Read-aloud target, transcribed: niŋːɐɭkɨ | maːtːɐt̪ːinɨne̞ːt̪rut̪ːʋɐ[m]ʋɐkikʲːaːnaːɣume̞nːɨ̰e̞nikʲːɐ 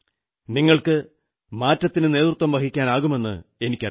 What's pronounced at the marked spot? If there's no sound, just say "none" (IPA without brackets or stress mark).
m